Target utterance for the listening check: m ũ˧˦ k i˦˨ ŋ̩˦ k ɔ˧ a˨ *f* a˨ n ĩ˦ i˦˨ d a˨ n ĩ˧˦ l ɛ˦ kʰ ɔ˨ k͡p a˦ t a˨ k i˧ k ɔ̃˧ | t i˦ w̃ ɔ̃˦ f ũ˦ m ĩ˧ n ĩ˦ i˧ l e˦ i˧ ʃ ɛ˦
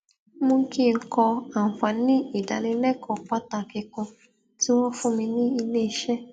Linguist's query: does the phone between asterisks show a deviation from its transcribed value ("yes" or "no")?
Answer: no